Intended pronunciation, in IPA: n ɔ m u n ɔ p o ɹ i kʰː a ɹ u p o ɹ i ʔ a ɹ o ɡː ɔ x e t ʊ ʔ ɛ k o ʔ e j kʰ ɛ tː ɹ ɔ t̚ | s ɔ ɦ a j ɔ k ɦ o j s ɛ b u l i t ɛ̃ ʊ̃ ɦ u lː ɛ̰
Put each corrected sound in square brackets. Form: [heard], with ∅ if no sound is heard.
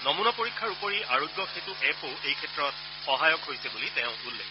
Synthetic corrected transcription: n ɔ m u n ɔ p o ɹ i kʰː a ɹ u p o ɹ i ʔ a ɹ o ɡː ɔ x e t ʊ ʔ ɛ [p] o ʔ e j kʰ ɛ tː ɹ ɔ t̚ | [x] ɔ ɦ a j ɔ k ɦ o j s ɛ b u l i t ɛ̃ ʊ̃ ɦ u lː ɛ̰